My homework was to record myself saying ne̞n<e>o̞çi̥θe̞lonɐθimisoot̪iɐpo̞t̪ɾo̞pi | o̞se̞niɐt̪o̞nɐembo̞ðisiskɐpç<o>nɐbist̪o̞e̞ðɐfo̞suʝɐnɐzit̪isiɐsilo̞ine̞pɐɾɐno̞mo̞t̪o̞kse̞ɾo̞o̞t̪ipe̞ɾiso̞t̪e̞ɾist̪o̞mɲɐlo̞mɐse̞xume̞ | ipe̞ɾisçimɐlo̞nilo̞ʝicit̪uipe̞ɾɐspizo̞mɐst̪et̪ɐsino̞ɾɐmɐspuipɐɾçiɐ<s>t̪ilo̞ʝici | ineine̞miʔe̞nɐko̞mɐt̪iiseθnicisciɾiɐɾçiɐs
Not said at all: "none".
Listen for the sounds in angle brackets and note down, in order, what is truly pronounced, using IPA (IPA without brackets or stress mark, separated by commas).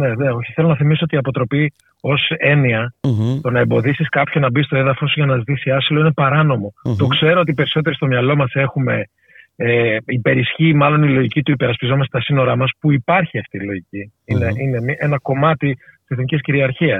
e, o, f